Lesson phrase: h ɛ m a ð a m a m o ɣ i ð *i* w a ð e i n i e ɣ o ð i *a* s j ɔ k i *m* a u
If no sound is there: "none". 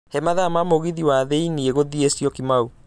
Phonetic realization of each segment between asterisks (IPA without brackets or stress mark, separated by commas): i, e, m